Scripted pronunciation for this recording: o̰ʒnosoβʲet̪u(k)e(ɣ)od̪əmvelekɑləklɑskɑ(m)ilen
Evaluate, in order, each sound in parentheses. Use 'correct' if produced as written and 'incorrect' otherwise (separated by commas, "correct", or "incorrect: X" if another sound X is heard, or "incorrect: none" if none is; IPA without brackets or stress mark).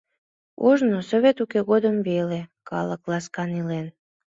correct, correct, incorrect: n